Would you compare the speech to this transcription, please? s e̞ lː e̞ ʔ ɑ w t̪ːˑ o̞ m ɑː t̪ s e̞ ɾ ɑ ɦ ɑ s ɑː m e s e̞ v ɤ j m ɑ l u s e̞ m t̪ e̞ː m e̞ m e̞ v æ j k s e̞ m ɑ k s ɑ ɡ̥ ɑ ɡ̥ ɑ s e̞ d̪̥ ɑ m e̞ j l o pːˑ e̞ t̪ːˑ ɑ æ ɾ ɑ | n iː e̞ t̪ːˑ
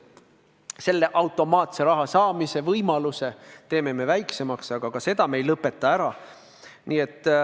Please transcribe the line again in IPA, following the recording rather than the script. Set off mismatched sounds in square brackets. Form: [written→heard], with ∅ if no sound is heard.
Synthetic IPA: s e̞ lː e̞ ʔ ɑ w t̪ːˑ o̞ m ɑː t̪ s e̞ ɾ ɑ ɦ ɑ s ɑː m [e→i] s e̞ v ɤ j m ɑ l u s e̞ [m→∅] t̪ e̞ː m e̞ m e̞ v æ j k s e̞ m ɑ k s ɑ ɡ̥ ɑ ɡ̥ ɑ s e̞ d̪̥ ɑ m e̞ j l [o→ɤ] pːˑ e̞ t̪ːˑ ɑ æ ɾ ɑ | n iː e̞ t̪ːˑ

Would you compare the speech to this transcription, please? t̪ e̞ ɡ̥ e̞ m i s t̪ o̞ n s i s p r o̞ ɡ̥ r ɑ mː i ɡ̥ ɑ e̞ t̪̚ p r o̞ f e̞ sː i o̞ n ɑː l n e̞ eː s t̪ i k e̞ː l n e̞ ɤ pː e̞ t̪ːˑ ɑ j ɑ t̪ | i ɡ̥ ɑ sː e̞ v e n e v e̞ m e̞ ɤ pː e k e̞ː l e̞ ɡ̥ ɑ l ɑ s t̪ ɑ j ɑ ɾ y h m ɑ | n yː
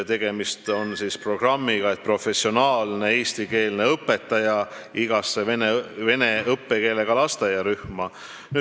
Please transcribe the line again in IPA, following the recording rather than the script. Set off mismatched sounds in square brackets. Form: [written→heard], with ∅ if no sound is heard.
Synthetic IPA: t̪ e̞ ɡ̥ e̞ m i s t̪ o̞ n s i s p r o̞ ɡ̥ r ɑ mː i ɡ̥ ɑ e̞ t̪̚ p r o̞ f e̞ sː i o̞ n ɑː l n e̞ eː s t̪ i k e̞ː l n e̞ ɤ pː e̞ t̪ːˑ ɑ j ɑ [t̪→∅] | i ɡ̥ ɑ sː e̞ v e n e v e̞ [m→n] e̞ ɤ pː e k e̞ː l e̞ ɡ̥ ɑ l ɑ s t̪ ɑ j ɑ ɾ y h m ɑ | n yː

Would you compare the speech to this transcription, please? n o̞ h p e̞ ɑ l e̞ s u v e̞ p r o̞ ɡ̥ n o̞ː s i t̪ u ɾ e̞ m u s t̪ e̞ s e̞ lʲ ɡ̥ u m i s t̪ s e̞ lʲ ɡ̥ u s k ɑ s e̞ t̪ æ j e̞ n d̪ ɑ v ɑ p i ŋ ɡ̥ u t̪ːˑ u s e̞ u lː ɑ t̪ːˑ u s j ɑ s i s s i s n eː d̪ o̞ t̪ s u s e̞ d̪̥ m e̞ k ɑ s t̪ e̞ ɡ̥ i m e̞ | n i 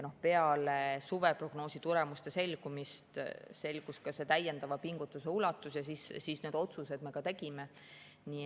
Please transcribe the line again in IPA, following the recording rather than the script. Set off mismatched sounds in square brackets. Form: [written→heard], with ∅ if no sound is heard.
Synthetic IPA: n o̞ h p e̞ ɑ l e̞ s u v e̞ p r o̞ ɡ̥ n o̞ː s i t̪ u ɾ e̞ m u s t̪ e̞ s e̞ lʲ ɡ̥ u m i s t̪ s e̞ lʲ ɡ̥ u s k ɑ s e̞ t̪ æ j e̞ n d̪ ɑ v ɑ p i ŋ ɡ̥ u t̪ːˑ u s e̞ u [lː→l] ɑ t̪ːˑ u s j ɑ s i s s i s n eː d̪ o̞ t̪ s u s e̞ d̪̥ m e̞ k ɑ [s→∅] t̪ e̞ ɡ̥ i m e̞ | n i

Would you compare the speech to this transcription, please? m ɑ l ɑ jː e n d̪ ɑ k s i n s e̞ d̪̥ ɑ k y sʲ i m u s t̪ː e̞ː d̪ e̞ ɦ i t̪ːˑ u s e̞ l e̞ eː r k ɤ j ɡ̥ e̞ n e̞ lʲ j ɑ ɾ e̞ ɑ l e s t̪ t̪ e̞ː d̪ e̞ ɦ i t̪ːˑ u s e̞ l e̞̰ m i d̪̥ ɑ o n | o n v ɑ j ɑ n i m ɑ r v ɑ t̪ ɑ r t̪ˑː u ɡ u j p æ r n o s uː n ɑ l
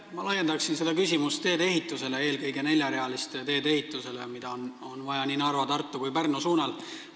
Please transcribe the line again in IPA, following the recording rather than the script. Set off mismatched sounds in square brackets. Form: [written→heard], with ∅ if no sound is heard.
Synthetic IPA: m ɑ l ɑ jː e n d̪ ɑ k s i n s e̞ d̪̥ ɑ k y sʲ i m u s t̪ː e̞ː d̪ e̞ ɦ i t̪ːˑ u s e̞ l e̞ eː [r→l] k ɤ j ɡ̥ e̞ n e̞ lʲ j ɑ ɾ e̞ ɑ l [e→i] s t̪ t̪ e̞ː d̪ e̞ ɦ i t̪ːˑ u s e̞ l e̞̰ m i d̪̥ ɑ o n | o n v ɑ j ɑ n i [m→n] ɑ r v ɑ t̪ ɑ r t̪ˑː u [ɡ→k] u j p æ r n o s uː n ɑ l

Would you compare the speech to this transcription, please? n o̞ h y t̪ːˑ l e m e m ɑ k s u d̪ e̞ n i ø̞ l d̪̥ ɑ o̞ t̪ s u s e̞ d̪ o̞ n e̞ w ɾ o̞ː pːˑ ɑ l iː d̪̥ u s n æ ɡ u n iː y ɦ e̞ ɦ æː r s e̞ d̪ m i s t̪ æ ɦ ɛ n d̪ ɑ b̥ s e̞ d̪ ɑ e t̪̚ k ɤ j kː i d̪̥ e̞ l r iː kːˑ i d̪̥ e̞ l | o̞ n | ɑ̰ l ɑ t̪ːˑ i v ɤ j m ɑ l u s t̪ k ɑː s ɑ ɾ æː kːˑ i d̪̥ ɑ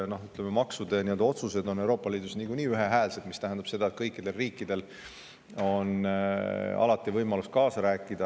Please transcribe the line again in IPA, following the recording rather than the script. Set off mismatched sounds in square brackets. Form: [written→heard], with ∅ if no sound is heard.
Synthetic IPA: n o̞ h y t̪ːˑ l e m e m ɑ k s u d̪ e̞ n i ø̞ l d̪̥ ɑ o̞ t̪ s u s e̞ d̪ o̞ n e̞ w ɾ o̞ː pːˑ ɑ l iː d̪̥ u s n [æ→i] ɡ u n iː y ɦ e̞ ɦ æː [r→l] s e̞ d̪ m i s t̪ æ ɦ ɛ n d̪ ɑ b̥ s e̞ d̪ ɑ e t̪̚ k ɤ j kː i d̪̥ e̞ l r iː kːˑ i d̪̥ e̞ l | o̞ n | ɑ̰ l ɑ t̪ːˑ i v ɤ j m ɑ l u s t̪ k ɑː s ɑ ɾ æː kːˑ i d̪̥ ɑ

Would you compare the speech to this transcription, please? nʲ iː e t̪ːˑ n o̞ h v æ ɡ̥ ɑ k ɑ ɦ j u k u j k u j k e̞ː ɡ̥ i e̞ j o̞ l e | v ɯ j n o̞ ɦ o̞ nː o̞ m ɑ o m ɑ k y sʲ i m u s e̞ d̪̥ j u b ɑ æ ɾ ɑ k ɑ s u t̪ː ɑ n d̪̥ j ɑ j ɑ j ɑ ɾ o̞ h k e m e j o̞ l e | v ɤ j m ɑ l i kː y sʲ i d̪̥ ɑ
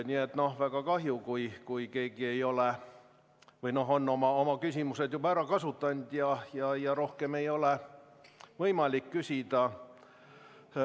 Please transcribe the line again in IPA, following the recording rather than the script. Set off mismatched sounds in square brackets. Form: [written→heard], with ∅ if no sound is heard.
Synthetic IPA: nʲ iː e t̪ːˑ n o̞ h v æ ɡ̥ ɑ k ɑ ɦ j u k u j k u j k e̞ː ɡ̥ i e̞ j o̞ l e | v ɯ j n o̞ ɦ o̞ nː o̞ m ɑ o m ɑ k y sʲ i m u s e̞ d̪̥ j u b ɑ æ ɾ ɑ k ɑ s u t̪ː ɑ n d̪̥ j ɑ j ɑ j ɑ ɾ o̞ h k e m e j o̞ l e | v ɤ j m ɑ l i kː y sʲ i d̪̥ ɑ

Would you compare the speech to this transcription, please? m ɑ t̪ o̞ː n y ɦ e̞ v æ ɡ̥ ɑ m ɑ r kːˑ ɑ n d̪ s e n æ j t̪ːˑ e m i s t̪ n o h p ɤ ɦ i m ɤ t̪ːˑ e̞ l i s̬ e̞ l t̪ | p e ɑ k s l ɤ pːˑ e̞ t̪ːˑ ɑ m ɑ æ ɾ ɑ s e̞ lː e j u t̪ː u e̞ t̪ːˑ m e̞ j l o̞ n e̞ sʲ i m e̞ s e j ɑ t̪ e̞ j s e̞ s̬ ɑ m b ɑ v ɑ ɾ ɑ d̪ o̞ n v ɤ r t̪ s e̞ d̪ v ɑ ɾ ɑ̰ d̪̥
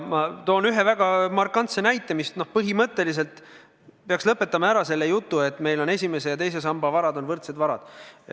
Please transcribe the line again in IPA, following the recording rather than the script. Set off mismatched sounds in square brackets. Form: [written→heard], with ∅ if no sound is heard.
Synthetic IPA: m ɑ t̪ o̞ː n y ɦ e̞ v æ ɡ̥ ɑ m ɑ r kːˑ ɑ n [d̪→t̪] s e n æ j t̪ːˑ e m i s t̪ n o h p ɤ ɦ i m ɤ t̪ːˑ e̞ l i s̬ e̞ l t̪ | p e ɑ k s l ɤ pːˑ e̞ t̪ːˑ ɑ m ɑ æ ɾ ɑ s e̞ lː e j u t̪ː u e̞ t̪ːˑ m e̞ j l o̞ n e̞ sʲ i m e̞ s e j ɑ t̪ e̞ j s e̞ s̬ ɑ m b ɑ v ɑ ɾ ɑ d̪ o̞ n v ɤ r t̪ s e̞ d̪ v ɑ ɾ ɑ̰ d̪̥

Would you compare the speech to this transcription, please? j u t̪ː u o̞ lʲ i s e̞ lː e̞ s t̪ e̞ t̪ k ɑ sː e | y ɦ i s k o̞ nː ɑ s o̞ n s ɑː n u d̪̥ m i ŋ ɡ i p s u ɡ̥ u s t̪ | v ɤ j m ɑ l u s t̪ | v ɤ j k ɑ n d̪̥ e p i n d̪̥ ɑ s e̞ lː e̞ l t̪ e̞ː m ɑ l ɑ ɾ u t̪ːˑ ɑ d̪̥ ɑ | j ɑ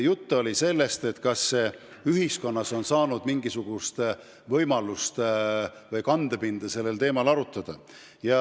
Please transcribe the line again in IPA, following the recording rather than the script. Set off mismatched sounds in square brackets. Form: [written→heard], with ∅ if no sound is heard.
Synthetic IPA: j u t̪ː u o̞ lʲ i s e̞ lː e̞ s t̪ e̞ t̪ k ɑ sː e | y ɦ i s k o̞ nː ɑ s o̞ n s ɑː n u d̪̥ m i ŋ ɡ i [p→∅] s u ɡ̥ u s t̪ | v ɤ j m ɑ l u s t̪ | v ɤ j k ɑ n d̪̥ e p i n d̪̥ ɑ s e̞ lː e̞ l t̪ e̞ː m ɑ l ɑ ɾ u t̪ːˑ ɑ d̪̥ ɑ | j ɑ

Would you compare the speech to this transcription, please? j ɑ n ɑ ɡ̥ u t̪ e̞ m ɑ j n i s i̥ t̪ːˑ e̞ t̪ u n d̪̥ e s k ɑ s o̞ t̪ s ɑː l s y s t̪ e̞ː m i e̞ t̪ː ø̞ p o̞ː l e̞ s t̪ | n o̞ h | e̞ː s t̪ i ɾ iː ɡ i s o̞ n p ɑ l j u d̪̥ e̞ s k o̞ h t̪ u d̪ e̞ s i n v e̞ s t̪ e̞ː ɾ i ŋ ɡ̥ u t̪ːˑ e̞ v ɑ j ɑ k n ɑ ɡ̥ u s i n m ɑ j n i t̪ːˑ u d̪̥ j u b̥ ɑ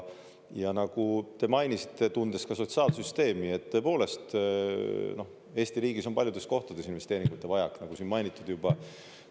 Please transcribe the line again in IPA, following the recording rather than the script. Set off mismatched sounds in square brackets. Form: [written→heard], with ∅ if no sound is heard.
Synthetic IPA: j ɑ n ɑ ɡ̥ u t̪ e̞ m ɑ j n i s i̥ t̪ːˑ e̞ t̪ u n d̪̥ e s k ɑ s o̞ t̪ s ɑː l s y s t̪ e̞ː m i e̞ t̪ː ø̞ p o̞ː l e̞ s t̪ | n o̞ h | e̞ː s t̪ i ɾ iː ɡ i s o̞ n p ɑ l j u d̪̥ e̞ s k o̞ h t̪ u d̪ e̞ s i n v e̞ s t̪ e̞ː ɾ i ŋ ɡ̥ u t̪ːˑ e̞ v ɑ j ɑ k n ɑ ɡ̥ u s i n m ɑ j n i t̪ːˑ u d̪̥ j u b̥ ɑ

